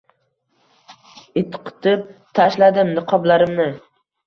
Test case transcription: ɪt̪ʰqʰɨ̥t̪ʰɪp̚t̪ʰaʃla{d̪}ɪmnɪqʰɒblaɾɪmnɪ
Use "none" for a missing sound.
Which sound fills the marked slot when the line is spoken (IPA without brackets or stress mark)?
d̪